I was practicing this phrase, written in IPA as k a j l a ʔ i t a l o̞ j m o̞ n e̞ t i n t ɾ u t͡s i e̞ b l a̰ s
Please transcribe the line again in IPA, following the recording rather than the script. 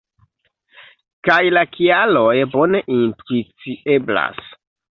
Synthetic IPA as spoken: k a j l a k i a l o̞ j b o̞ n e̞ ʔ i n t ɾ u t͡s i e̞ b l a̰ s